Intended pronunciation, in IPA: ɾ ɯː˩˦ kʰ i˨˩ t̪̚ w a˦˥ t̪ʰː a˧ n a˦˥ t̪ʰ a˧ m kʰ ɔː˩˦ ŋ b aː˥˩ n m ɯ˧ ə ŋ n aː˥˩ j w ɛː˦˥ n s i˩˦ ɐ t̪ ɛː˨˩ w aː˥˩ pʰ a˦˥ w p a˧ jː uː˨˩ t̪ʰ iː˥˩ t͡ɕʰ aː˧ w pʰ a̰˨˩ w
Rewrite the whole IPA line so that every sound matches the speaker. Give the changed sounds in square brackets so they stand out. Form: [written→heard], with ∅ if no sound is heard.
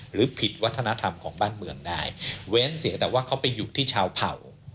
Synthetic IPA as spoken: ɾ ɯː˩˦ [kʰ→pʰ] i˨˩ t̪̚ w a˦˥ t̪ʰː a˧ n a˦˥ t̪ʰ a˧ m kʰ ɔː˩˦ ŋ b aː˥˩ n m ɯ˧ ə ŋ [n→d] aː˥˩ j w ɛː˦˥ n s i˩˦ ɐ t̪ ɛː˨˩ w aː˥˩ [pʰ→kʰ] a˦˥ w p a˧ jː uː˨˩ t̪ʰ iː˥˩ t͡ɕʰ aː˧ w pʰ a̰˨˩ w